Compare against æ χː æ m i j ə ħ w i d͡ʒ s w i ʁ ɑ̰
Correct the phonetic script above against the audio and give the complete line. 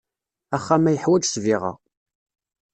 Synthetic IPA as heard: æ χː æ m æ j ə ħ w æ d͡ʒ s v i ʁ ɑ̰

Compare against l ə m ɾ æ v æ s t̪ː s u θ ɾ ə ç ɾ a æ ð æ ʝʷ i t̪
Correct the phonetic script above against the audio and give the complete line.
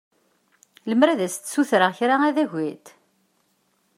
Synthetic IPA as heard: l ə m ɾ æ ð æ s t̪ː s u θ ɾ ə ç ɾ a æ ð æ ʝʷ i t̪

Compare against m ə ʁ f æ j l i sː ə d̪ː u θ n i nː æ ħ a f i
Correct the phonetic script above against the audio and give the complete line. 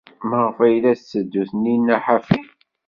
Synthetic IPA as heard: m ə ʁ f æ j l æ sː ə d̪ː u θ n i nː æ ħ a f i

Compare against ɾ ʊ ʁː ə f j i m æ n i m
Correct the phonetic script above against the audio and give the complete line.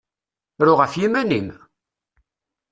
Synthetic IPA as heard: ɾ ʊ ʁ ə f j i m æ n i m

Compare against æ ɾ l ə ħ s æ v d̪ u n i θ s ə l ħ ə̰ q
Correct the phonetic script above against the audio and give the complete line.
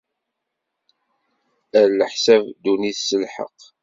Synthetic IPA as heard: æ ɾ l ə ħ s æ v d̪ u n i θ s ə l ħ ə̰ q

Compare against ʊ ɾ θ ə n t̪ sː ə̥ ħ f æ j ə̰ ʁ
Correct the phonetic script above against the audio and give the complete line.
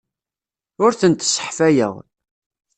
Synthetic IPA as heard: ʊ ɾ θ ə n t̪ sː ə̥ ħ f æ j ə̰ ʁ

